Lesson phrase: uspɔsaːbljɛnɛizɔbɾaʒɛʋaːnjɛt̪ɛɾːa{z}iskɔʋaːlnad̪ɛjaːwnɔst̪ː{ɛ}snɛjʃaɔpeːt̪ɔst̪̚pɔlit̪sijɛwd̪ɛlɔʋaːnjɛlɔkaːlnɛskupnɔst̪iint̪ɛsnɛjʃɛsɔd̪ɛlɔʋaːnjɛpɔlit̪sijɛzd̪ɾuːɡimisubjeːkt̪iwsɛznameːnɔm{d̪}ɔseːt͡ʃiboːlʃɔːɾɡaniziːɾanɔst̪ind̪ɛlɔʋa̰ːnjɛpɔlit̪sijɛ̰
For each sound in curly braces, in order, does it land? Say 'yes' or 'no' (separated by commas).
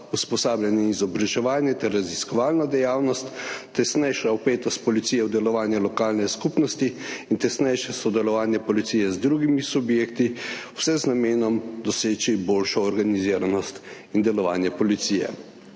yes, yes, yes